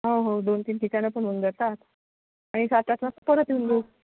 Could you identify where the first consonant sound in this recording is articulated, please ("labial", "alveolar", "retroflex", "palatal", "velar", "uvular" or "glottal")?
glottal